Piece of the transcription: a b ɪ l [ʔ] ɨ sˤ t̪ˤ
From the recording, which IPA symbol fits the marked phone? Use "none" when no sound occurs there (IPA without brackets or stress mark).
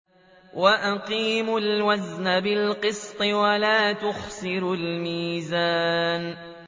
q